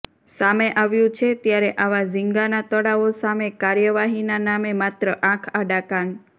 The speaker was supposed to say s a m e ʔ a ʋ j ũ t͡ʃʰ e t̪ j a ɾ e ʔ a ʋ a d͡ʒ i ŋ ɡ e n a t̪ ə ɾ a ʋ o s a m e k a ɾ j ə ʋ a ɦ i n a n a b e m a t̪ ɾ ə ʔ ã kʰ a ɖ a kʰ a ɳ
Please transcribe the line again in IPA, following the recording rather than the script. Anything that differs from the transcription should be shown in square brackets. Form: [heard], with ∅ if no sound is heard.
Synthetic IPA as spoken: s a m e ʔ a ʋ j ũ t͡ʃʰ e t̪ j a ɾ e ʔ a ʋ a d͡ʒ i ŋ ɡ [a] n a t̪ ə [ɽ] a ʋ o s a m e k a ɾ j ə ʋ a ɦ i n a n a [m] e m a t̪ ɾ ə ʔ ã kʰ a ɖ a [k] a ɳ